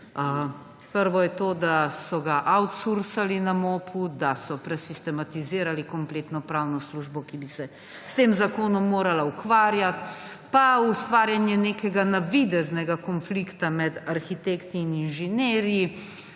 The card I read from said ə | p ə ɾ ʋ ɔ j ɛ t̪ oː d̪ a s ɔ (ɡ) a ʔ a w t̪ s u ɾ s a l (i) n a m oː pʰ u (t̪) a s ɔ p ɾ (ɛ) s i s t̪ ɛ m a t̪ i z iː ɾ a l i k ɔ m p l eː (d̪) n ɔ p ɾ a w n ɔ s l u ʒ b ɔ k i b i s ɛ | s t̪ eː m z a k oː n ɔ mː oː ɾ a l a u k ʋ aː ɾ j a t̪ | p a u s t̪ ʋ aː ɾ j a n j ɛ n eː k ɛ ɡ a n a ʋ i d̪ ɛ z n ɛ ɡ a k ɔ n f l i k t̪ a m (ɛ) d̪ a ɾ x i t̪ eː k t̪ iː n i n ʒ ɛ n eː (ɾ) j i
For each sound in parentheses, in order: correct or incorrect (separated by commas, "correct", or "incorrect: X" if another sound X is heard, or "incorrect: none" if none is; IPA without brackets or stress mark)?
correct, correct, incorrect: d̪, correct, incorrect: t̪, correct, correct